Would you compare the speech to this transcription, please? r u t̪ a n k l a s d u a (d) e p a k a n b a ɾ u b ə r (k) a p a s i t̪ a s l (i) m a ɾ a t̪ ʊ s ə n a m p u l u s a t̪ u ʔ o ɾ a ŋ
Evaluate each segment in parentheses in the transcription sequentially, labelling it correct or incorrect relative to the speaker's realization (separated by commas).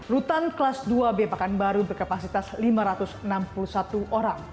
incorrect, correct, correct